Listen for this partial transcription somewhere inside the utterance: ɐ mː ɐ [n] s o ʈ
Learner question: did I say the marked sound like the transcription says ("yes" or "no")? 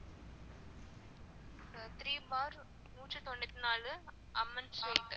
yes